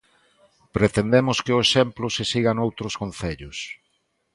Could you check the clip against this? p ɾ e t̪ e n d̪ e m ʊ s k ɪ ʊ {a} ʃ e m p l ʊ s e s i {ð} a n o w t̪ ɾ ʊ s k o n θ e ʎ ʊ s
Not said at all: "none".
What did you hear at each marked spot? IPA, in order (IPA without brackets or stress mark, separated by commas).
e, ɣ